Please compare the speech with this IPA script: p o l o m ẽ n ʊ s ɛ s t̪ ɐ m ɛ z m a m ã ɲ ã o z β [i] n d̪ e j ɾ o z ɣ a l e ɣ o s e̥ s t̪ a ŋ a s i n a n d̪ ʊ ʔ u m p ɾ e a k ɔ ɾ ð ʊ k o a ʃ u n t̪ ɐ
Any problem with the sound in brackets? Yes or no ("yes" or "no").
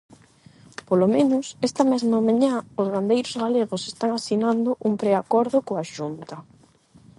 yes